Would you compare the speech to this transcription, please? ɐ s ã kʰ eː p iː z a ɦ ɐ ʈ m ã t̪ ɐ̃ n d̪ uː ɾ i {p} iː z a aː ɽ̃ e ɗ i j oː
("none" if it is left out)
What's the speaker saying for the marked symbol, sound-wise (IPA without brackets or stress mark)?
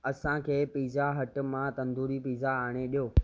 p